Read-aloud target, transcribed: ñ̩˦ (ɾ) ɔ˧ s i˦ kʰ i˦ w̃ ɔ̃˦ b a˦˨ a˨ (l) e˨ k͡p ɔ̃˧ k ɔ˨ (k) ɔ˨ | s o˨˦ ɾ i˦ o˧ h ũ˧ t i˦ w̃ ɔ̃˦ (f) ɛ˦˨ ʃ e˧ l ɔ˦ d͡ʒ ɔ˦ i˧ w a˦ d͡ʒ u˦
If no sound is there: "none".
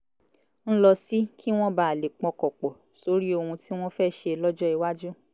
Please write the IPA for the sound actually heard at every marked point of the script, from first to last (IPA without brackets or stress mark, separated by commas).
l, l, k͡p, f